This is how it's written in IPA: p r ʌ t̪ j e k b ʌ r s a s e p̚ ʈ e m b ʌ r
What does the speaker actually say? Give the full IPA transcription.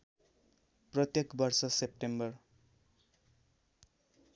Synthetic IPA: p r ʌ t̪ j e k b ʌ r s ʌ s e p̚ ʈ e m b ʌ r